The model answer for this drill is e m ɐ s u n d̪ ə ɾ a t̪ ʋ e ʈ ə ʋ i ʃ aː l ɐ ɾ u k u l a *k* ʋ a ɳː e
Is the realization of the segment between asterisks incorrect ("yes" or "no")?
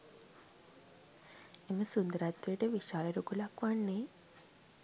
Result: no